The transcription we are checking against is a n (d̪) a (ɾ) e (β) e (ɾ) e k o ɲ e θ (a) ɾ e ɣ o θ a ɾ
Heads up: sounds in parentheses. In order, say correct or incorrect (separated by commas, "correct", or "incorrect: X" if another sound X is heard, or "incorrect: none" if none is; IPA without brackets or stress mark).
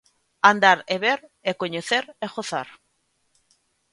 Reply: correct, correct, correct, correct, incorrect: e